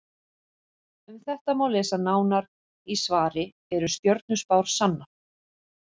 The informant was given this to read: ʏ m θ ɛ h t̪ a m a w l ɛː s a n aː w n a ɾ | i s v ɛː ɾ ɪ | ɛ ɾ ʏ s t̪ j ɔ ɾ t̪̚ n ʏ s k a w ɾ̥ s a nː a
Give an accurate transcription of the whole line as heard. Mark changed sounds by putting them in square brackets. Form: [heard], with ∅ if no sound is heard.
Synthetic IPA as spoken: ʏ m θ ɛ h t̪ a m a w l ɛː s a n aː w n a ɾ | i s v [aː] ɾ ɪ | ɛ ɾ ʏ s t̪ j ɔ ɾ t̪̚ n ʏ s [p] a w ɾ̥ s a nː a